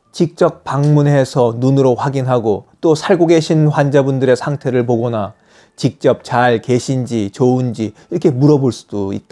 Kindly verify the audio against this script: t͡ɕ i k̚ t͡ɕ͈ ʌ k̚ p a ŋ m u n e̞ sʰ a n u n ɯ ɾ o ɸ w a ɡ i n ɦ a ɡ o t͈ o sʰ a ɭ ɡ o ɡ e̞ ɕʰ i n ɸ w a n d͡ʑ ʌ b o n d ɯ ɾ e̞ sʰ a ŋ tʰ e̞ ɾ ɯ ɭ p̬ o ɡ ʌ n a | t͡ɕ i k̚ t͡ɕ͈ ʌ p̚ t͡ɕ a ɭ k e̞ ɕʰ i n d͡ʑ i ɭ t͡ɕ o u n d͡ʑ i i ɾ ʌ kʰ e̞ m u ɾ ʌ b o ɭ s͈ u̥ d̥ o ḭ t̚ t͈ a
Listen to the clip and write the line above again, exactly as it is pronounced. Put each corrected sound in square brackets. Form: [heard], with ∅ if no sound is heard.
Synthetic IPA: t͡ɕ i k̚ t͡ɕ͈ ʌ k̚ p a ŋ m u n e̞ sʰ [ʌ] n u n ɯ ɾ o ɸ w a ɡ i n ɦ a ɡ o t͈ o sʰ a ɭ ɡ o ɡ e̞ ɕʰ i n ɸ w a n d͡ʑ [a] b [u] n d ɯ ɾ e̞ sʰ a ŋ tʰ e̞ ɾ ɯ ɭ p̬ o ɡ ʌ n a | t͡ɕ i k̚ t͡ɕ͈ ʌ p̚ t͡ɕ a ɭ k e̞ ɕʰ i n d͡ʑ i [∅] t͡ɕ o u n d͡ʑ i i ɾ ʌ kʰ e̞ m u ɾ ʌ b o ɭ s͈ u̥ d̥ o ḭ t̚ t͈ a